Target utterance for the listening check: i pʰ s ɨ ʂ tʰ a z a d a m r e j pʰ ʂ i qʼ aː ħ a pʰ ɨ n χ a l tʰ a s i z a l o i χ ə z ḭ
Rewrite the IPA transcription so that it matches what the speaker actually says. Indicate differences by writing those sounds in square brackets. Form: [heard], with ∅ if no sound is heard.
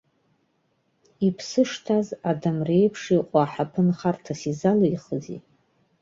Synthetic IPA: i pʰ s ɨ ʂ tʰ a z a d a m r e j pʰ ʂ i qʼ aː ħ a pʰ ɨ n χ a [r] tʰ a s i z a l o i χ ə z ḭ